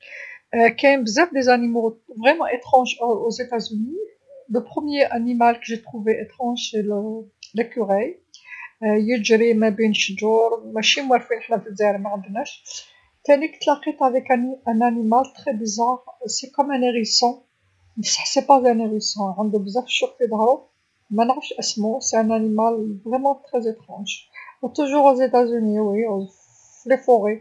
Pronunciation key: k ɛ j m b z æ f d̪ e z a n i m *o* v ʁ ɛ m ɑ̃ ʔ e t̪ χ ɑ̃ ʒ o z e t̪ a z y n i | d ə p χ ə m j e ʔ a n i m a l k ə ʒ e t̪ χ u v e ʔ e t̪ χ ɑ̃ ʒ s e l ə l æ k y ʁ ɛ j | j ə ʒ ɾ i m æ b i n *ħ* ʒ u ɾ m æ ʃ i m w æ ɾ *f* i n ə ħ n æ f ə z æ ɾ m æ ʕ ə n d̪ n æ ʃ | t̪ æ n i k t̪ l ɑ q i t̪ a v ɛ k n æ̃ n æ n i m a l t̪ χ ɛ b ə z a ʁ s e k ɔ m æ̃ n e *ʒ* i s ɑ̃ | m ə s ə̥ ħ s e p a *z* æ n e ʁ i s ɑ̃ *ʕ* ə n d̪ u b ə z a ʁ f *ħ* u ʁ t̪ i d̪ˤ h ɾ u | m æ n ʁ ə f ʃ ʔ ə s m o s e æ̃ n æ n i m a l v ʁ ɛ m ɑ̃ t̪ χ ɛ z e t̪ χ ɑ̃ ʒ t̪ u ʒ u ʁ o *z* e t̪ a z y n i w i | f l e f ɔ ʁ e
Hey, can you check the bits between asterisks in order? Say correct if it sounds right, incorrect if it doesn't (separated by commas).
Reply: correct, incorrect, correct, incorrect, correct, correct, incorrect, correct